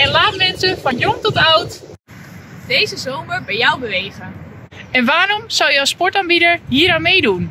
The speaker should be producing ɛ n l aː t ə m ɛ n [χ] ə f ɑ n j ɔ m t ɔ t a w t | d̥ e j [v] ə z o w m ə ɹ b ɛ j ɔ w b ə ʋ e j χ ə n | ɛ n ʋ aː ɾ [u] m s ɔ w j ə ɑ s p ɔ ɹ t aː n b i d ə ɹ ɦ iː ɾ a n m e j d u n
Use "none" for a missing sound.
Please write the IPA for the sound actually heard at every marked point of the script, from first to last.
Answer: s, z, ɔ

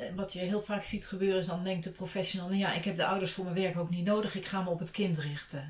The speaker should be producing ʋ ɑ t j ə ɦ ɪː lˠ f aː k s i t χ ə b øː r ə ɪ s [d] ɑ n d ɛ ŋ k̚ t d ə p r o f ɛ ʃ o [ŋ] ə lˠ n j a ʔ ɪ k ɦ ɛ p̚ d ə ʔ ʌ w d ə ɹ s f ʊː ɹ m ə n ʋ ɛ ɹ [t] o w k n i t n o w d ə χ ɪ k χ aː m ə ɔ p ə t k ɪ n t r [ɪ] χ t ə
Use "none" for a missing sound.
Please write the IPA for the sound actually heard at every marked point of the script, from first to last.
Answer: d, n, k, ɪ

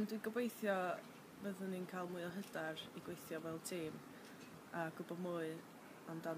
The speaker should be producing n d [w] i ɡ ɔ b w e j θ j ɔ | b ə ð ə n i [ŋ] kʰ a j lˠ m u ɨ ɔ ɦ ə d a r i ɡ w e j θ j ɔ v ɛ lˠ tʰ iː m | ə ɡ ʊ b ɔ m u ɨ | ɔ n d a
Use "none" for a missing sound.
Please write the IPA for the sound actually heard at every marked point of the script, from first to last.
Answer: w, n

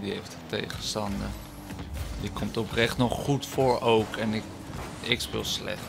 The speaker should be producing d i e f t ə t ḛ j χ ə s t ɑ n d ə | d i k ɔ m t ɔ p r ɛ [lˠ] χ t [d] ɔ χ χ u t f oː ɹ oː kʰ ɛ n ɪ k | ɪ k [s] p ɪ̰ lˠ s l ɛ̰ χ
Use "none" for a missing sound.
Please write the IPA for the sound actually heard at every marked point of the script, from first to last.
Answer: none, n, s

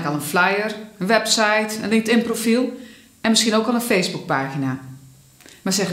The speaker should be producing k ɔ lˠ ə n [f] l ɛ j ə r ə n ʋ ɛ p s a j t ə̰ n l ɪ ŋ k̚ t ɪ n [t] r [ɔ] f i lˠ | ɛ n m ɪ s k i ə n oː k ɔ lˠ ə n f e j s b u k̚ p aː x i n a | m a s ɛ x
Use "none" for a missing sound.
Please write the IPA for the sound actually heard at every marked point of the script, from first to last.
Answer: f, p, o

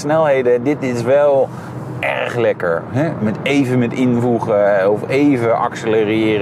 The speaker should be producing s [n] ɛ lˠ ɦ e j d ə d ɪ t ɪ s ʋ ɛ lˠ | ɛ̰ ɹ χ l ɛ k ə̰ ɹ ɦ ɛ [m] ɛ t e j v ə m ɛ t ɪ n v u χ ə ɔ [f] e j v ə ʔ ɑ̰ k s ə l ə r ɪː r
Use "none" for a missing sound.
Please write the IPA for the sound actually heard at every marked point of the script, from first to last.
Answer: n, m, f

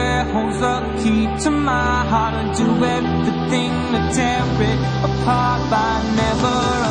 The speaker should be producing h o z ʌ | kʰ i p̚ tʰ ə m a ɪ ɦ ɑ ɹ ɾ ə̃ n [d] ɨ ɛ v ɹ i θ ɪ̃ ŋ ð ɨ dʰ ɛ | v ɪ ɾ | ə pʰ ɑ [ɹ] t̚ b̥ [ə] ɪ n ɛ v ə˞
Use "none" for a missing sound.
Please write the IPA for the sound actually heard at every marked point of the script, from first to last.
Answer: d, ɹ, a

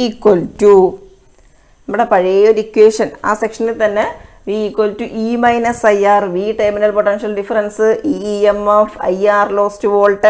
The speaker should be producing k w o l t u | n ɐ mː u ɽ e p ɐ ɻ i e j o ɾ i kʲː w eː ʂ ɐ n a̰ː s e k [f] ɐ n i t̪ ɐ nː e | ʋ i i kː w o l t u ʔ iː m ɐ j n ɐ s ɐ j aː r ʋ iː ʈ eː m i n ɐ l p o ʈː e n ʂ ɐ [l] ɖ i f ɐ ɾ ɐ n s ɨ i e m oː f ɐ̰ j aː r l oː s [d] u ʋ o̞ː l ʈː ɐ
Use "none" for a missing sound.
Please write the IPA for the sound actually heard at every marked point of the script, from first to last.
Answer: ʂ, l, t

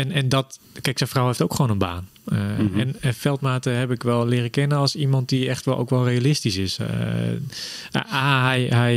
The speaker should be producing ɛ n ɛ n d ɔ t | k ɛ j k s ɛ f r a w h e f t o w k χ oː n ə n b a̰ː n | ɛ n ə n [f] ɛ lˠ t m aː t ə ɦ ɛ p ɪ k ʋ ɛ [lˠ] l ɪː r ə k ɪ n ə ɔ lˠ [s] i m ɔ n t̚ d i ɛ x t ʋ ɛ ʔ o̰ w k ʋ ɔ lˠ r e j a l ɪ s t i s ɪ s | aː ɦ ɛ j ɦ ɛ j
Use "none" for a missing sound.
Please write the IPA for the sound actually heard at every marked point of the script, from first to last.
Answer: f, lˠ, s

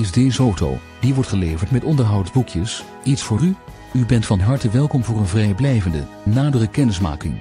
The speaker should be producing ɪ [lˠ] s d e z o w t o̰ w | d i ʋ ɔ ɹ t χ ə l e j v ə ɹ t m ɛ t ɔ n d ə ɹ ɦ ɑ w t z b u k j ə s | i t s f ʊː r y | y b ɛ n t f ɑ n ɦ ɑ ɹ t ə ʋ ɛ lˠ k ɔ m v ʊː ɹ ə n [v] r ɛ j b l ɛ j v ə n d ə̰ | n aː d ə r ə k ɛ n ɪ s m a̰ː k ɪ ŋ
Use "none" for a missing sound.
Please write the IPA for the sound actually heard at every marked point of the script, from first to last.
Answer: none, v

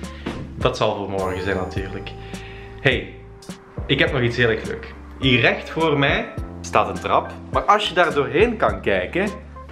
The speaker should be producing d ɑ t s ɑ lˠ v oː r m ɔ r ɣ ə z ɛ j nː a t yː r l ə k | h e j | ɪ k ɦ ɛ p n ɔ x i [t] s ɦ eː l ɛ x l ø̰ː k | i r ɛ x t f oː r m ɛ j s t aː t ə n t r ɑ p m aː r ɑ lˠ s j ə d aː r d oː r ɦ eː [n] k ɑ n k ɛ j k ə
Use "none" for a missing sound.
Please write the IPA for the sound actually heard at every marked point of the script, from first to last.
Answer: t, n

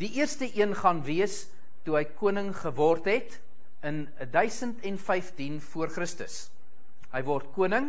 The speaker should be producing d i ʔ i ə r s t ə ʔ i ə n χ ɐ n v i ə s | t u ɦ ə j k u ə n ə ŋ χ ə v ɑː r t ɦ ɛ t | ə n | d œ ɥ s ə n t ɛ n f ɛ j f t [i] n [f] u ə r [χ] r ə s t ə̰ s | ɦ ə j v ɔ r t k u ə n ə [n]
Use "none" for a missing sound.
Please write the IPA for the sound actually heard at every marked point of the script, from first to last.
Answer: i, f, χ, ŋ

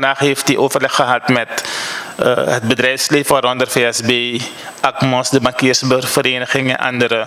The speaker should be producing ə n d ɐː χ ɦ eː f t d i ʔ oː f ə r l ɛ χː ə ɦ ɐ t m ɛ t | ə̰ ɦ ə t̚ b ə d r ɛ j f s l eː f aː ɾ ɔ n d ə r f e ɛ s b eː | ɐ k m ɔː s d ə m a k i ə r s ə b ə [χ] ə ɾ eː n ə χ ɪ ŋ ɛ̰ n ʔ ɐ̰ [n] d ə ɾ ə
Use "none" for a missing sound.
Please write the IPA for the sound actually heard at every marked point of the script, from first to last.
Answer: f, n

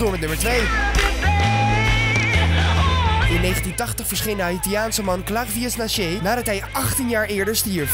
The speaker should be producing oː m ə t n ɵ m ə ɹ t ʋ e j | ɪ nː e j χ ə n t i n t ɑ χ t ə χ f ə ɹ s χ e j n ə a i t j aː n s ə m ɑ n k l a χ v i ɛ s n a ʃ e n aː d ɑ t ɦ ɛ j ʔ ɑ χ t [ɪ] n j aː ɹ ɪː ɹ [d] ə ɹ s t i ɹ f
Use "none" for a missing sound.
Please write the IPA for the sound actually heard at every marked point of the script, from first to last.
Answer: i, d

